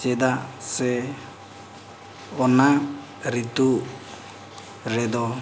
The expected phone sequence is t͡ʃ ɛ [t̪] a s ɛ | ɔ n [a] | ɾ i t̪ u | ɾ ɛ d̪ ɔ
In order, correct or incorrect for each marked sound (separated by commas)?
incorrect, correct